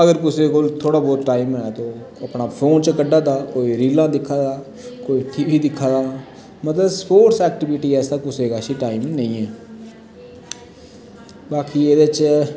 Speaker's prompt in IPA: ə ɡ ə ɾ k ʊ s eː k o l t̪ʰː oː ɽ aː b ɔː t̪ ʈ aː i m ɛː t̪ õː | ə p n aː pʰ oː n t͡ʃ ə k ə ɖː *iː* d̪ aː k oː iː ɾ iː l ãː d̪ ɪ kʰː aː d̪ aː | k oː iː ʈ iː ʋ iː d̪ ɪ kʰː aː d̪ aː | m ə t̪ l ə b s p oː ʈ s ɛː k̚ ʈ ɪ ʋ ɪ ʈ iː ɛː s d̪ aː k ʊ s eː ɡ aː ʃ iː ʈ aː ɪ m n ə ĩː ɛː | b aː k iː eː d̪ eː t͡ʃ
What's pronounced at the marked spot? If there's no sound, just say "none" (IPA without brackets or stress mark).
aː